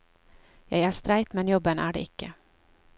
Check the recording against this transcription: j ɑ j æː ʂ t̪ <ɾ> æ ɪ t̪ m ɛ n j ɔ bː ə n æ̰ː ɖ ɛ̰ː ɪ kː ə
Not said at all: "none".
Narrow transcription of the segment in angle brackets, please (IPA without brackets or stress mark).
ɾ